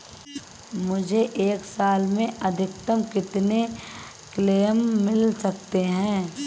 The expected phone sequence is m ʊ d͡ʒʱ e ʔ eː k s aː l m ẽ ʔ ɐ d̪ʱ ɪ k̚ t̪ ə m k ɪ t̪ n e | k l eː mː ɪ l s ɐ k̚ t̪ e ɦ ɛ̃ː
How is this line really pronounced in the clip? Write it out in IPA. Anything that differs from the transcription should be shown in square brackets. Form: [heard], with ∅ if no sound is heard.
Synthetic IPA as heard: m ʊ d͡ʒʱ e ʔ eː k s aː l m ẽ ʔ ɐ d̪ʱ ɪ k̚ t̪ ə m k ɪ t̪ n e | k l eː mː ɪ l s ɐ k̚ t̪ e ɦ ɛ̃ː